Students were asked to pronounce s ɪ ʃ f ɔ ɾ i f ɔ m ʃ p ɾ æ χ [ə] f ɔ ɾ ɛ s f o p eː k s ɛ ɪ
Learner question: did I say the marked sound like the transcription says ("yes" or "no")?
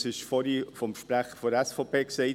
yes